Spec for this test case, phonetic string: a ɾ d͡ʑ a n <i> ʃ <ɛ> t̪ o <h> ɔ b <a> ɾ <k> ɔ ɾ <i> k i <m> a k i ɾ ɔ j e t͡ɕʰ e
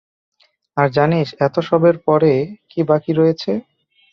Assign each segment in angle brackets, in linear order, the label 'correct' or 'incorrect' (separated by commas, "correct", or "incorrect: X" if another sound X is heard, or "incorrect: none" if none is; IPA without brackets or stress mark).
correct, correct, incorrect: ʃ, incorrect: e, incorrect: p, incorrect: e, incorrect: b